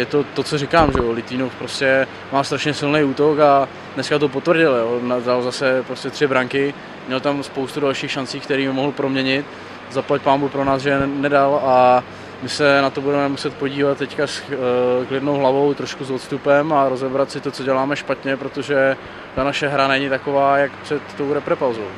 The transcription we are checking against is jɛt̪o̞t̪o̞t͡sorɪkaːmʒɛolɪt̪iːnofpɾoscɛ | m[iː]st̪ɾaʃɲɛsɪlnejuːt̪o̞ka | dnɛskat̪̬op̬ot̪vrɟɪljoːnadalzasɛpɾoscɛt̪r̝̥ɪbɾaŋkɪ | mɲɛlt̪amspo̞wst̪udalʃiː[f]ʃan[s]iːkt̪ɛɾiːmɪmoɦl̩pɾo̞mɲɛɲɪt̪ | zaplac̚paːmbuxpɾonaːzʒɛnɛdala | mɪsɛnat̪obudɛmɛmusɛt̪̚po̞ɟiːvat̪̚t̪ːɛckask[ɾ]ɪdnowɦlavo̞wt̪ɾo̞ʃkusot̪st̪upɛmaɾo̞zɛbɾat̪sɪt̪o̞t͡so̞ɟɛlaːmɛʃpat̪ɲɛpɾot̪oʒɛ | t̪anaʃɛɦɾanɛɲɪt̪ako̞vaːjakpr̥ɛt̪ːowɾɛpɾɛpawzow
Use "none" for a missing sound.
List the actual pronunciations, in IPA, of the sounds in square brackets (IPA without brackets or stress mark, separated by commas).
aː, x, t͡s, l